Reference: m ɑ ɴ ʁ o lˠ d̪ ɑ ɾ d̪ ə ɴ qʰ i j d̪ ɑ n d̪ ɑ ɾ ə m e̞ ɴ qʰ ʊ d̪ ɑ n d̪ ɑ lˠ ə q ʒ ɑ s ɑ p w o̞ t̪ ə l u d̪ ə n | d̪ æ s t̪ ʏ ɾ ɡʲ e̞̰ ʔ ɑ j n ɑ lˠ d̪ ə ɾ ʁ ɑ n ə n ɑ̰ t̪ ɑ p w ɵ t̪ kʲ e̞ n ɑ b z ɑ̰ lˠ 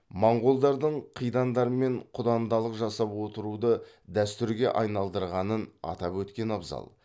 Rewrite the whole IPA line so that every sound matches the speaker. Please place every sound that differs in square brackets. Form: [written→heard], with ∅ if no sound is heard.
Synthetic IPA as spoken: m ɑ ɴ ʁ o lˠ d̪ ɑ ɾ d̪ ə ɴ qʰ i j d̪ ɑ n d̪ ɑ ɾ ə m e̞ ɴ qʰ ʊ d̪ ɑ n d̪ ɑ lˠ ə q ʒ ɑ s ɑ p w o̞ t̪ ə [l→ɾ] u d̪ ə [n→∅] | d̪ æ s t̪ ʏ ɾ ɡʲ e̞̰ ʔ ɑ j n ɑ lˠ d̪ ə ɾ ʁ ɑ n ə n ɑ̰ t̪ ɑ p w ɵ t̪ kʲ e̞ n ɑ b z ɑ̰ lˠ